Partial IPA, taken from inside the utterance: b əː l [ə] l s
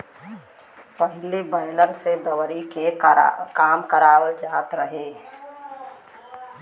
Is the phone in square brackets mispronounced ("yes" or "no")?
no